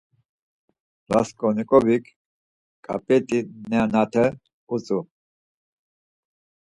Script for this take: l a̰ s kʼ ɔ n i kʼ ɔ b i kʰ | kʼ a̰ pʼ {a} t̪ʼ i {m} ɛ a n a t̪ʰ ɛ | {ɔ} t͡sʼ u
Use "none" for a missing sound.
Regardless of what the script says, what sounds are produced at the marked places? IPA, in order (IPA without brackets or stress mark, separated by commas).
ɛ, n, u